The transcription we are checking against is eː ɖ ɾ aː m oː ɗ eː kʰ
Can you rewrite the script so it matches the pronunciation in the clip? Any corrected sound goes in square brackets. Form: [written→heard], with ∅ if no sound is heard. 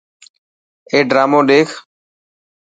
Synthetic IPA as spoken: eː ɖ ɾ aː m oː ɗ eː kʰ